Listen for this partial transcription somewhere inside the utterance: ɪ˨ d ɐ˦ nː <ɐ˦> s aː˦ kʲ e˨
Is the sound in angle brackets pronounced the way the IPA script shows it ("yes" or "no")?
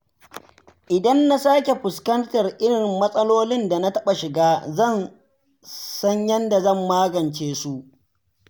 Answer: no